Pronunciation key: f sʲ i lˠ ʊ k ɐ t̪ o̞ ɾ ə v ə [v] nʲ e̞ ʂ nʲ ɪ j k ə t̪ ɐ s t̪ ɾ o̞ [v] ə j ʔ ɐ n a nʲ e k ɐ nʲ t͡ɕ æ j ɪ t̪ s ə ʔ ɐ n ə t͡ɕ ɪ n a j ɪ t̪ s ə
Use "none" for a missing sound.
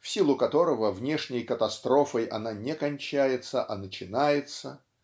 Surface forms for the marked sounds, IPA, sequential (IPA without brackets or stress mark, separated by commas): v, f